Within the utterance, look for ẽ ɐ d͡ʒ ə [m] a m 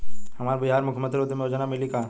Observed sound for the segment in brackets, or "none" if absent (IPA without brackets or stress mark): n